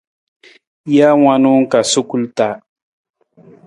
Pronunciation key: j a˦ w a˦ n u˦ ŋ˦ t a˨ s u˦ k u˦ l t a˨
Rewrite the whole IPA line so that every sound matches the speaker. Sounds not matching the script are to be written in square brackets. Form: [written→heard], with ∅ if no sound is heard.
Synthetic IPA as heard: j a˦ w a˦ n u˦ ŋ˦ [t→k] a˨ s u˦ k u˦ l t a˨